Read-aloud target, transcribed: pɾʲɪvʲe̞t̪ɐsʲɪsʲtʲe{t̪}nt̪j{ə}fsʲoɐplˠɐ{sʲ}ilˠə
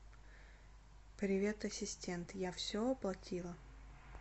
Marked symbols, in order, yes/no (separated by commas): no, no, no